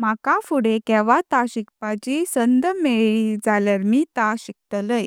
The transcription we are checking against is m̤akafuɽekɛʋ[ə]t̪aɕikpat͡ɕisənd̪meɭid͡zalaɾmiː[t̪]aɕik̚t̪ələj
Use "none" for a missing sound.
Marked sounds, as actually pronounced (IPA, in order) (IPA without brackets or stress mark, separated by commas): a, t̪